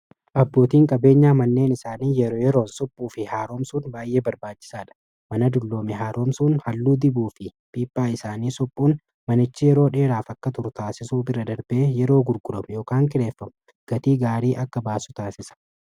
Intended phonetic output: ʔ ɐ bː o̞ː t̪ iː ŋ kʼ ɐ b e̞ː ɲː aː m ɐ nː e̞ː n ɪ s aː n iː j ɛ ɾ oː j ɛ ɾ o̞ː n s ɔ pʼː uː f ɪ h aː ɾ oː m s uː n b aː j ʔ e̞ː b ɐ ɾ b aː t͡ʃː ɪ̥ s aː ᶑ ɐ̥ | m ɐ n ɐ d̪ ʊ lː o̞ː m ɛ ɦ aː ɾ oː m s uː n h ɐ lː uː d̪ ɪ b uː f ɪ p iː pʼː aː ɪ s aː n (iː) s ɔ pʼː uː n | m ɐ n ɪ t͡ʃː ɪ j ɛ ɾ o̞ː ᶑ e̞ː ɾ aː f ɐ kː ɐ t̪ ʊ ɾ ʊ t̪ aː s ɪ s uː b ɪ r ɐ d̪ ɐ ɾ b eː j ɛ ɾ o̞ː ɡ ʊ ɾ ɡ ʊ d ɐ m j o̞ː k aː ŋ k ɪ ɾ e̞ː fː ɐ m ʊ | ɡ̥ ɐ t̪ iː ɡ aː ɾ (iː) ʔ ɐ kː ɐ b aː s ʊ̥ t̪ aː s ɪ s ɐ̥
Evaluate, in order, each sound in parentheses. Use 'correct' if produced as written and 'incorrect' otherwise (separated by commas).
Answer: correct, correct